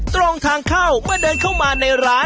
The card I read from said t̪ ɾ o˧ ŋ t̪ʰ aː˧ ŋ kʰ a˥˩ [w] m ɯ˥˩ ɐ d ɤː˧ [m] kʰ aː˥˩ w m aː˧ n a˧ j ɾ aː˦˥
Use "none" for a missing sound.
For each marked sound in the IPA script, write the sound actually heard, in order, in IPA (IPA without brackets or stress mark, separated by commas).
w, n